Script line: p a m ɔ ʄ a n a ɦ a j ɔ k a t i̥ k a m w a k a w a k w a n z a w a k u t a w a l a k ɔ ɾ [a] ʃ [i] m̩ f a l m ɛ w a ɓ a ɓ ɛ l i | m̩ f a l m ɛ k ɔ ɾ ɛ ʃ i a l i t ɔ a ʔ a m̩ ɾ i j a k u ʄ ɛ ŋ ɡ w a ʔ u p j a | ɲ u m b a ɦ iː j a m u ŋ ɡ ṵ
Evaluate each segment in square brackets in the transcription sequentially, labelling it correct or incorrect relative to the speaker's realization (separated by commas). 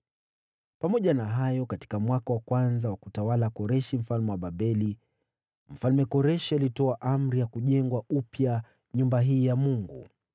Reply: incorrect, correct